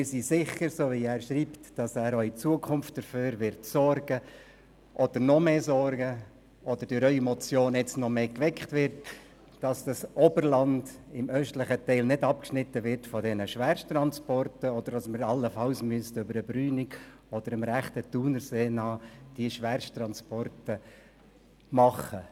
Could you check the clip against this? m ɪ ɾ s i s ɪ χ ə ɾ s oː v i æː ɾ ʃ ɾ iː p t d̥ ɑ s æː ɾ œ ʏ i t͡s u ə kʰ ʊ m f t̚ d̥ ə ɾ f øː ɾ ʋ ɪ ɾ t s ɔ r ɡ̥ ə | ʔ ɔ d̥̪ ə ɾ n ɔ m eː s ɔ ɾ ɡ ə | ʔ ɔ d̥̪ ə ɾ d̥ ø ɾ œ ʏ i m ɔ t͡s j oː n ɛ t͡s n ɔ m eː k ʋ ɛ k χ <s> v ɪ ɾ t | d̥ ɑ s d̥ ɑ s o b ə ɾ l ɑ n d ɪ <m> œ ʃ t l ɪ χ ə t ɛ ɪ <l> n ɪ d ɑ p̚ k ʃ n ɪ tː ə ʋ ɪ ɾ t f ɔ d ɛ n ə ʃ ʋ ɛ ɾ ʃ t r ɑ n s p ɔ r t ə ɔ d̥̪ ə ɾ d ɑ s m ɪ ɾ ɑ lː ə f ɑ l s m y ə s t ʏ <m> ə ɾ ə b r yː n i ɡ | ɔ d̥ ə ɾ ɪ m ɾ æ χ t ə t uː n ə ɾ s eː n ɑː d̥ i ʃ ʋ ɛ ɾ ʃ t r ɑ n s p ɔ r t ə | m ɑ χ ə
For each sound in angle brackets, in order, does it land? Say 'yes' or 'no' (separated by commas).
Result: no, yes, yes, no